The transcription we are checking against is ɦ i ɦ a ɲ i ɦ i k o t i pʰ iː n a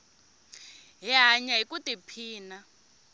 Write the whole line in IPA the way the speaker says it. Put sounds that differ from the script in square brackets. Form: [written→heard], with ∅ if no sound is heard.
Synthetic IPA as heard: ɦ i ɦ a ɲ [i→a] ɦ i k [o→u] t i pʰ iː n a